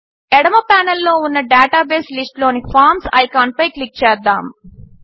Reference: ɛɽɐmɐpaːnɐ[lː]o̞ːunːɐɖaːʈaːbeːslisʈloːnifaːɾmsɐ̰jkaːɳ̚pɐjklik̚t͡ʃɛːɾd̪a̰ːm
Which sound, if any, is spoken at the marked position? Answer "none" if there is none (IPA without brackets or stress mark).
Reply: lː